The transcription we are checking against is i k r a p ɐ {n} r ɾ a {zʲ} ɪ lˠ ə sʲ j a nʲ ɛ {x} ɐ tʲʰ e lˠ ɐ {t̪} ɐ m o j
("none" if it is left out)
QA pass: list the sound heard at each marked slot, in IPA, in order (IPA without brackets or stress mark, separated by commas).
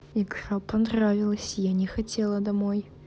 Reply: n, vʲ, x, d̪